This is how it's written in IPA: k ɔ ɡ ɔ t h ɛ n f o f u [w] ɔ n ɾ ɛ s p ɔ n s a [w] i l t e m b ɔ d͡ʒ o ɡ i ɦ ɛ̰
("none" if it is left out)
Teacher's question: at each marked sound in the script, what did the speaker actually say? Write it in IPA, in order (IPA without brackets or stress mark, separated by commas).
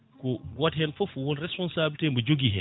w, b